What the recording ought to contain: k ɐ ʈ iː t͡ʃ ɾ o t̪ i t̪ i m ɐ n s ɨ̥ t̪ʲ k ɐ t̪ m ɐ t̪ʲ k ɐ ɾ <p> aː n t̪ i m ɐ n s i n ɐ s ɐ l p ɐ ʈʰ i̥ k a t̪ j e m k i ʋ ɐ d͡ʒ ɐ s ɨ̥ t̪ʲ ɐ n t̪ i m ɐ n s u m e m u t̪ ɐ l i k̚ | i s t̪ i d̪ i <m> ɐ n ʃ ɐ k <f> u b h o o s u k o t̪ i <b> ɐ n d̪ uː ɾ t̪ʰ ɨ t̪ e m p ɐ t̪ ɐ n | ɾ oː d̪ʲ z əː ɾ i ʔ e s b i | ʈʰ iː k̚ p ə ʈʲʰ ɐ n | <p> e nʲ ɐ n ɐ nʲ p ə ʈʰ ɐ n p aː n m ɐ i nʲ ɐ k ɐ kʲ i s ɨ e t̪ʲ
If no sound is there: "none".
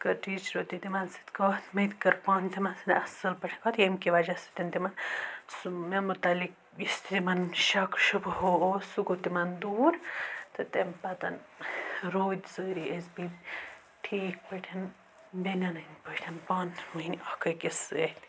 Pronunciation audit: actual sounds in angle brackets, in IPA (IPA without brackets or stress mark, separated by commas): p, m, ʃ, m, b